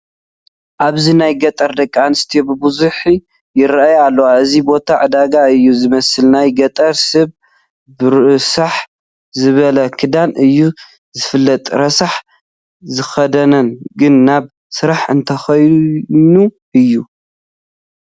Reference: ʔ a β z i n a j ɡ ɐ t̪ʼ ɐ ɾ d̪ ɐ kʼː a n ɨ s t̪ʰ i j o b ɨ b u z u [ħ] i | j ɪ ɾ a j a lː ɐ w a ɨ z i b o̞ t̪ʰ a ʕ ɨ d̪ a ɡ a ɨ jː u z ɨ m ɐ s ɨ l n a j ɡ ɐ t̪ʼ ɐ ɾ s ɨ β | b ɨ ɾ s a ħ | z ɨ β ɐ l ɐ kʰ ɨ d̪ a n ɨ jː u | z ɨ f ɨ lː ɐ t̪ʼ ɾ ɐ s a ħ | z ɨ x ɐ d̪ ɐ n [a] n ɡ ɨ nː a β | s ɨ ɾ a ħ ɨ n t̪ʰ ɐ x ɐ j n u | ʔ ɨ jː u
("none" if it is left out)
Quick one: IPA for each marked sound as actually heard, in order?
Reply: ħ, ɐ

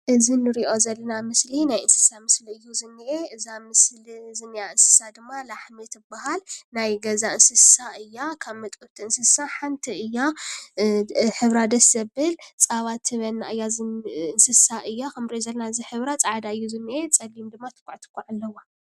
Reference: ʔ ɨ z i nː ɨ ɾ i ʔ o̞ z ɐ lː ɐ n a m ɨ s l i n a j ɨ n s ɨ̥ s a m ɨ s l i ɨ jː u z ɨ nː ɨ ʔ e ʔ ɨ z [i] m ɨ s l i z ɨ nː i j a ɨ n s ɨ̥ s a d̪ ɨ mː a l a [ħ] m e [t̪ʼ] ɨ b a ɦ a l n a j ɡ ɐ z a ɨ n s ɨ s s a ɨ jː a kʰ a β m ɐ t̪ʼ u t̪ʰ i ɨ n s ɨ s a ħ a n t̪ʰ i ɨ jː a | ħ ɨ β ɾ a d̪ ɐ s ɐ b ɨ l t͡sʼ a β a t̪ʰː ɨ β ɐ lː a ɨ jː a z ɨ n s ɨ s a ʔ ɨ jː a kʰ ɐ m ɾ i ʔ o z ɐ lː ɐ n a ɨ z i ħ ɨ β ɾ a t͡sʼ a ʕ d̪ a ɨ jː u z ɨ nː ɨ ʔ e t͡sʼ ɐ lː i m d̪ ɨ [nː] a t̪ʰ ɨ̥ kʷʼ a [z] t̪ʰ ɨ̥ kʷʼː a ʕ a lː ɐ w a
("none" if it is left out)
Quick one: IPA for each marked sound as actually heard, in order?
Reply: a, ħ, t̪, mː, ʕ

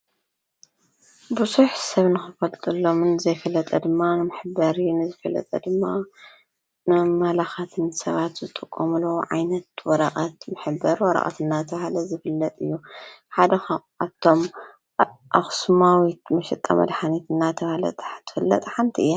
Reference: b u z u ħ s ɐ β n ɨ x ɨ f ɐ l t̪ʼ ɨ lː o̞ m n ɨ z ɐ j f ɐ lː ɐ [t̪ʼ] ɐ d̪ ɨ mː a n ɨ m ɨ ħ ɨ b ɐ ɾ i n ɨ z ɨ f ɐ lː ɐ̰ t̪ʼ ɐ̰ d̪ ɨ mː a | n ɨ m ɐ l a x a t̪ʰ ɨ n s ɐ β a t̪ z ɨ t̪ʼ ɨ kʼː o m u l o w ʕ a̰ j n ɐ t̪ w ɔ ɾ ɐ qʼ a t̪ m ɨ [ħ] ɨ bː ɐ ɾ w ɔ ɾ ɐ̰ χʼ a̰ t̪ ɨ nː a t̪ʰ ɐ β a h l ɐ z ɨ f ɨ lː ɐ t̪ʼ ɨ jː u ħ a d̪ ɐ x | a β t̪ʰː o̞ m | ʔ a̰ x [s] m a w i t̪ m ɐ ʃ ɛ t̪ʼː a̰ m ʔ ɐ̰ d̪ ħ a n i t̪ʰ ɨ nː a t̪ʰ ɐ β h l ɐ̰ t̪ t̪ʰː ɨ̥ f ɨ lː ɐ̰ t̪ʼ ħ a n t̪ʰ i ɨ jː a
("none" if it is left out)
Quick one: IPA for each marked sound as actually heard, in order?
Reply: t̪ʼ, ħ, s

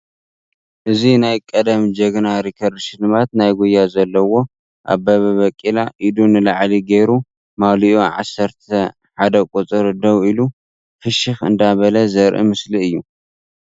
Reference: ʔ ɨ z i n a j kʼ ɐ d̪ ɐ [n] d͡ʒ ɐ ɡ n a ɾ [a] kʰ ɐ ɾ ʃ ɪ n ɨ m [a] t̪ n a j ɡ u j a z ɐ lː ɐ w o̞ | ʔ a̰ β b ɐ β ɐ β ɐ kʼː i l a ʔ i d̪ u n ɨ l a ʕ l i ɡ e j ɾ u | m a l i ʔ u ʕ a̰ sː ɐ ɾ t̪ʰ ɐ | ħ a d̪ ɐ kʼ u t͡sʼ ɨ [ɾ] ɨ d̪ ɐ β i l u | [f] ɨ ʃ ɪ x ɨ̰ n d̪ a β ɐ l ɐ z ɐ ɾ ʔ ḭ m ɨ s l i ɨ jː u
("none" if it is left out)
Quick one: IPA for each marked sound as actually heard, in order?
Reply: m, i, a, ɾ, f

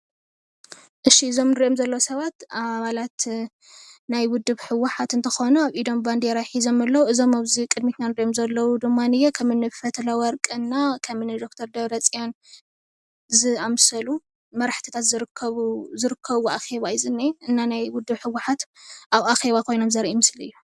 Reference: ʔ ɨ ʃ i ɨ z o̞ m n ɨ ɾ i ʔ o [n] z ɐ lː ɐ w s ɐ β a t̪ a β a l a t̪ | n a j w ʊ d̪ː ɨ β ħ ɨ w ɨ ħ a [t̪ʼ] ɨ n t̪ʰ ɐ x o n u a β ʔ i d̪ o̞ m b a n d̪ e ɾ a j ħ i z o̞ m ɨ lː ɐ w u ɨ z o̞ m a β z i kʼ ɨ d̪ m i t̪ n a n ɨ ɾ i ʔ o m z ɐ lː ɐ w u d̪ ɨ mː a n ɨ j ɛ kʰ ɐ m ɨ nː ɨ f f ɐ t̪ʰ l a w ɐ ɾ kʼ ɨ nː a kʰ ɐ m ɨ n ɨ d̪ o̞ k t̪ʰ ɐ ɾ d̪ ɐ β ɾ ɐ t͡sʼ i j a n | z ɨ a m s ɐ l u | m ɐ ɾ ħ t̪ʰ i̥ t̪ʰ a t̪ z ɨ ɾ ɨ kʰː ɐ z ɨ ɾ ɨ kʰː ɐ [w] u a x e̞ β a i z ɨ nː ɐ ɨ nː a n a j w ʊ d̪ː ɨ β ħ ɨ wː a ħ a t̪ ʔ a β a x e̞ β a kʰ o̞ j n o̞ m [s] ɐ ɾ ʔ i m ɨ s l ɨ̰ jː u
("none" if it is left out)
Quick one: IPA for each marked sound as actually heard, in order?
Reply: m, t̪, β, z

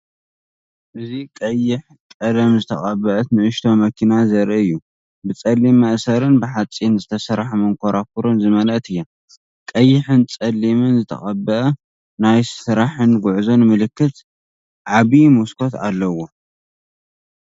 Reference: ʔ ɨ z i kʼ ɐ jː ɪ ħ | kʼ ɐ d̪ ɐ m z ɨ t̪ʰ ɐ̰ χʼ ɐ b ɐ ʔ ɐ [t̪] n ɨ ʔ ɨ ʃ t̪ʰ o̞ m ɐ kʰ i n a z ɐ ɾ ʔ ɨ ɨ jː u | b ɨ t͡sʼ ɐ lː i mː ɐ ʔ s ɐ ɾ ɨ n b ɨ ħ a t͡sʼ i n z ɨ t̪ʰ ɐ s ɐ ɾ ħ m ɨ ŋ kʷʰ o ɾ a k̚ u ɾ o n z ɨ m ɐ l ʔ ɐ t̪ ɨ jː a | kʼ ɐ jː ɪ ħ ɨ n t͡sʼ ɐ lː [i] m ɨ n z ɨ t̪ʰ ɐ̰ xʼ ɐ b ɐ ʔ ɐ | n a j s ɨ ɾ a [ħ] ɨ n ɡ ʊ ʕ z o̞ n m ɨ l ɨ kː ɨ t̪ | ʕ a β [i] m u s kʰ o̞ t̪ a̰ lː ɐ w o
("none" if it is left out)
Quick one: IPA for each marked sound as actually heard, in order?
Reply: t̪, i, ħ, i

